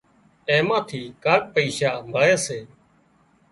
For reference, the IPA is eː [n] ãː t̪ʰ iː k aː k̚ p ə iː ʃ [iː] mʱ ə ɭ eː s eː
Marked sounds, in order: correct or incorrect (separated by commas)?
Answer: incorrect, incorrect